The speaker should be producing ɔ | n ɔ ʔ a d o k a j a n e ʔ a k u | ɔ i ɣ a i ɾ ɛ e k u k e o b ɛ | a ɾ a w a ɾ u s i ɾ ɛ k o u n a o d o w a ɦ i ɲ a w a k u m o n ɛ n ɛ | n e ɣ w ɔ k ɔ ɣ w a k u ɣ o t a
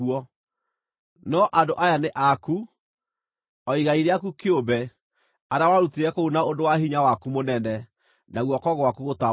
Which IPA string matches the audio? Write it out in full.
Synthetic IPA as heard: ɔ | n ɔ ʔ a d o ʔ a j a n e ʔ a k u | ɔ i ɣ a i ɾ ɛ a k u k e o b ɛ | a ɾ a w a ɾ u t i ɾ ɛ k o u n a o d o w a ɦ i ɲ a w a k u m o n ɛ n ɛ | n a ɣ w ɔ k ɔ ɣ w a k u ɣ o t a